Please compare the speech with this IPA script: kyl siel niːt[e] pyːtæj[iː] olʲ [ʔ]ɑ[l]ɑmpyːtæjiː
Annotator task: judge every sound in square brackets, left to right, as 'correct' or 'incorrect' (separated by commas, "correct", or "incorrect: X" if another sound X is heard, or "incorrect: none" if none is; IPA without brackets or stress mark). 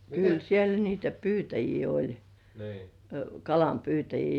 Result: incorrect: æ, correct, incorrect: k, correct